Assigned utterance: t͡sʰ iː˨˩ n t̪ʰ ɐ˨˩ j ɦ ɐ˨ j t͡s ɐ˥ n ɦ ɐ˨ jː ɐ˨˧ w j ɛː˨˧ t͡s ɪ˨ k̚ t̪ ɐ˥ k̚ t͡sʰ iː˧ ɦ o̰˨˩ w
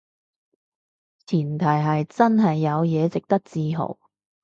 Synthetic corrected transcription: t͡sʰ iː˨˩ n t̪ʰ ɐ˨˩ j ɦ ɐ˨ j t͡s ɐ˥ n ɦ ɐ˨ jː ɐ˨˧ w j ɛː˨˧ t͡s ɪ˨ k̚ t̪ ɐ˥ k̚ t͡s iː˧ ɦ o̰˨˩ w

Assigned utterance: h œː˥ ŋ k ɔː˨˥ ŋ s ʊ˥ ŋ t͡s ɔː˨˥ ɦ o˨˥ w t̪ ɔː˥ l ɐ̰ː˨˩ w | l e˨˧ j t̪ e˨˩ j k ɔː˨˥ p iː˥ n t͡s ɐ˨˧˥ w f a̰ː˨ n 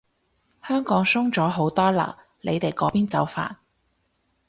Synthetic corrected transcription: h œː˥ ŋ k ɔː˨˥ ŋ s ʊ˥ ŋ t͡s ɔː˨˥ ɦ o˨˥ w t̪ ɔː˥ l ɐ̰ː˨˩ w | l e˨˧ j t̪ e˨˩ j k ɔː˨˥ p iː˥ n t͡s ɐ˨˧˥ w f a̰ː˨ n

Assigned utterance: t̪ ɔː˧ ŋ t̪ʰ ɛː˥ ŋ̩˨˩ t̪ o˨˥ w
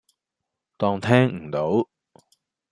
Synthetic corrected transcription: t̪ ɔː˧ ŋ t̪ʰ ɛː˥ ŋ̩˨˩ t̪ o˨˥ w

